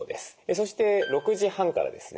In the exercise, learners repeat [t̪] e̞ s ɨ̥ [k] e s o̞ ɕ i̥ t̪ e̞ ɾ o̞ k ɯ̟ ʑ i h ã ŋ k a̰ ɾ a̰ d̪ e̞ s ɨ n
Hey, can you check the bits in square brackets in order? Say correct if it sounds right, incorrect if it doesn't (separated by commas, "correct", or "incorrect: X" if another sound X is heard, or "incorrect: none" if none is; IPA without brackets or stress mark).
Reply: incorrect: d̪, incorrect: none